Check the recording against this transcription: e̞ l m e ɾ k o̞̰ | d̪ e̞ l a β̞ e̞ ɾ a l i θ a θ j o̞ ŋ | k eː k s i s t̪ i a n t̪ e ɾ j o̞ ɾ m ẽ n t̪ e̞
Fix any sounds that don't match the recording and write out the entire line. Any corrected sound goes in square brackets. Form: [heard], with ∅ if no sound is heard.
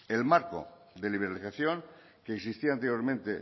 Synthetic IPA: e̞ l m [a] ɾ k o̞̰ | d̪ e̞ l [i] β̞ e̞ ɾ a l i θ a θ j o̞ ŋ | k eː k s i s t̪ i a n t̪ e ɾ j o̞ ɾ m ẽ n t̪ e̞